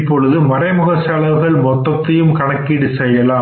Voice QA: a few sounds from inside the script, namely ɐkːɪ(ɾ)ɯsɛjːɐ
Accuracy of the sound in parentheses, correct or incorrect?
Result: incorrect: ɽ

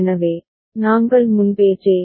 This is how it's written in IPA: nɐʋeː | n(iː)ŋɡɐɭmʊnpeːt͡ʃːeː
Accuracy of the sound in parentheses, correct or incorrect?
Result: incorrect: aː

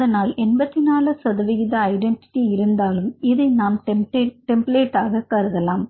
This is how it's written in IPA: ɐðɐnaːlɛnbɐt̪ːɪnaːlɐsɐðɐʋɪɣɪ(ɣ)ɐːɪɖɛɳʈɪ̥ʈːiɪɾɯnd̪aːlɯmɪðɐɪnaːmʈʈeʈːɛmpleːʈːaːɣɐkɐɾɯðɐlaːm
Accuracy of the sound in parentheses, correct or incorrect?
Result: incorrect: ð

